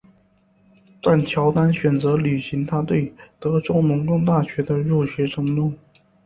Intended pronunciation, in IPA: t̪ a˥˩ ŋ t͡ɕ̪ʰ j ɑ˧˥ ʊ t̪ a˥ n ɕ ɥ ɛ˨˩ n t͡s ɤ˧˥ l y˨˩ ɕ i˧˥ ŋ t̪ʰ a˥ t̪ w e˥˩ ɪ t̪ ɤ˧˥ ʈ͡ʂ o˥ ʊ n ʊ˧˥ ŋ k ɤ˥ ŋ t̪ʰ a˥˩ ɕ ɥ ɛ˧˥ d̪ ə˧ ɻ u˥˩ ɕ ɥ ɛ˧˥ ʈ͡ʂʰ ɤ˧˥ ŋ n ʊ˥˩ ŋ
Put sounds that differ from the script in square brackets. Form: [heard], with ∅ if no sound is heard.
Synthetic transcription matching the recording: t̪ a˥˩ [n] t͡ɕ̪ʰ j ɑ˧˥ ʊ t̪ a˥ n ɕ ɥ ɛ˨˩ n t͡s ɤ˧˥ l y˨˩ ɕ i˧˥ ŋ t̪ʰ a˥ t̪ w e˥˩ ɪ t̪ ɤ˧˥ ʈ͡ʂ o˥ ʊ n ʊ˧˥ ŋ k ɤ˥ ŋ [t̪] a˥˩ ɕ ɥ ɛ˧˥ d̪ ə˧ ɻ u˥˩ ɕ ɥ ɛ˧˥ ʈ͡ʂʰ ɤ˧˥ ŋ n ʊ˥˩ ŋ